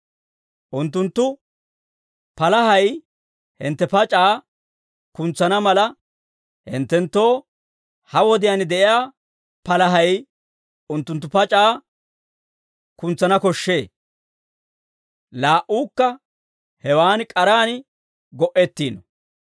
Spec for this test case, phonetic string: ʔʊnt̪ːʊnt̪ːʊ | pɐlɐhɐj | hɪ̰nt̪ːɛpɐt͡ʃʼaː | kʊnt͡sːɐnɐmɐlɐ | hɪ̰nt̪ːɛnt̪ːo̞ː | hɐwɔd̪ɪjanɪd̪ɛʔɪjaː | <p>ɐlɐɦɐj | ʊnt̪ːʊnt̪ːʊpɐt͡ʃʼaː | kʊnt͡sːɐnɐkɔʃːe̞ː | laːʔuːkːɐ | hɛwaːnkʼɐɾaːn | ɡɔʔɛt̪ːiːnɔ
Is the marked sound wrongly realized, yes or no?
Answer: no